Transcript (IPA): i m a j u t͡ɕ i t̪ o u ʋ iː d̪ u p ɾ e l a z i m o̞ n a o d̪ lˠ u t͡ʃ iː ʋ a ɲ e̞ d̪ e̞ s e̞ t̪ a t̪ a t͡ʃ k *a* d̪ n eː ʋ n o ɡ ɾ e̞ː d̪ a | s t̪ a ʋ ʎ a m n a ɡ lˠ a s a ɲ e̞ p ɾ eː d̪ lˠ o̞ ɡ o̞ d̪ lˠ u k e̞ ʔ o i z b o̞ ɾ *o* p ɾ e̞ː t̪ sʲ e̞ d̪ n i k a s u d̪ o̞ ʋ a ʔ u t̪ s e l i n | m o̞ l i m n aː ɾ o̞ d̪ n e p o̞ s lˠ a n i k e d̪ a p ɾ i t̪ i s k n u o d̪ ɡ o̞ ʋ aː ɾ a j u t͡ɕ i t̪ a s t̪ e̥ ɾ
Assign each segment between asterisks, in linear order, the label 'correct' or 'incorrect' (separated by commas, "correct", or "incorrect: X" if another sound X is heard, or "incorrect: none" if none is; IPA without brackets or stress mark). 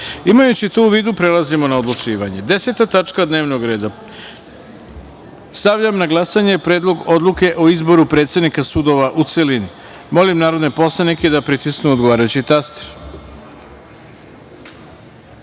correct, incorrect: u